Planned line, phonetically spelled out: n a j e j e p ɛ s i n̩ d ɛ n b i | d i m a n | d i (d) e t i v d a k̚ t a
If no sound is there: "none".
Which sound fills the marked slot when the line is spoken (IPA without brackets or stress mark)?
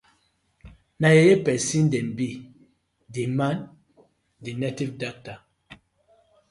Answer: n